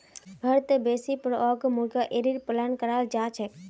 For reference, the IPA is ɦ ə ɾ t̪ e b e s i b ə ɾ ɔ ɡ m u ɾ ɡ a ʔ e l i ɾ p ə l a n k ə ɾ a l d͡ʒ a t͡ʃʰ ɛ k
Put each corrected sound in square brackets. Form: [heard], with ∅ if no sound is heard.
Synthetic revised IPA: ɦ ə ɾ t̪ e b e s i [p] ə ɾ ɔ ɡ m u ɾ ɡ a ʔ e [ɾ] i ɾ p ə l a n k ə ɾ a l d͡ʒ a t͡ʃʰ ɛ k